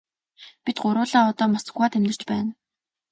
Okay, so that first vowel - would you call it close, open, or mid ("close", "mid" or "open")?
close